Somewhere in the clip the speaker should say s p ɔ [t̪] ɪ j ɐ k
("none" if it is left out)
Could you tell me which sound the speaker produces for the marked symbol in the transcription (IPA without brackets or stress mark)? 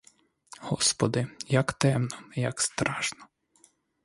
d̪